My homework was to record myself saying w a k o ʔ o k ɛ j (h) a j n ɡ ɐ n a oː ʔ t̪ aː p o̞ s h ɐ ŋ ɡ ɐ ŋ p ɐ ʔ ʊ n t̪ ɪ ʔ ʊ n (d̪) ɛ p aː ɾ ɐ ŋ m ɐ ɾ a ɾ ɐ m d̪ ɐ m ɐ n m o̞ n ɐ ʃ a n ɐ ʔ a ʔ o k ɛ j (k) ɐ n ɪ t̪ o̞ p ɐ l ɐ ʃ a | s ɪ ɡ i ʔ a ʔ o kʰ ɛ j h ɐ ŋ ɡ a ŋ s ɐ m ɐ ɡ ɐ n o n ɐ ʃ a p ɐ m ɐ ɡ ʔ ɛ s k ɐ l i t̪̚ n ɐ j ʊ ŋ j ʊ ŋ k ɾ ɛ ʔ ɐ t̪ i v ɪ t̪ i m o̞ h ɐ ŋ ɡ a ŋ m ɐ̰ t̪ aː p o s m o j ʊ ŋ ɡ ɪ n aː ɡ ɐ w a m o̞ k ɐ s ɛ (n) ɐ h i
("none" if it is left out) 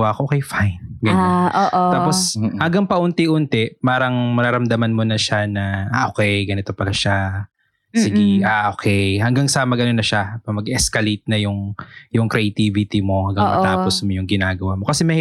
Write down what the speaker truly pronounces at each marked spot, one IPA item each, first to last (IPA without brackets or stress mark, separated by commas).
f, t̪, ɡ, m